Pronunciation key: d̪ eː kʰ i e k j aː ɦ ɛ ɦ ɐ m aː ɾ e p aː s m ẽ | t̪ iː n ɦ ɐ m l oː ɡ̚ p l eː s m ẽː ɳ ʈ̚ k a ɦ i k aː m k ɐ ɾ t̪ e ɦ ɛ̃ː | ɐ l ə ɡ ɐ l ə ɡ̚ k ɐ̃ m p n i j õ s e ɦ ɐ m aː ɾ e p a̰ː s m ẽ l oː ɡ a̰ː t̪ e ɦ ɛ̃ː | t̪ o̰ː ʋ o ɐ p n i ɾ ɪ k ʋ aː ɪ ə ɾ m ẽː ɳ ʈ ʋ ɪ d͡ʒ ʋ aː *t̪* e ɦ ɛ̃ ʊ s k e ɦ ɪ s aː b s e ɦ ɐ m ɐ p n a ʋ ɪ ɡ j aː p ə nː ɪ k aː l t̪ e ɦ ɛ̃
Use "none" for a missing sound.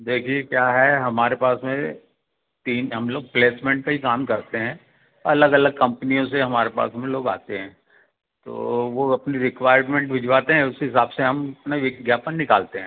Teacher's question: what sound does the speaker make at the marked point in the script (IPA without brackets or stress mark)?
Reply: t̪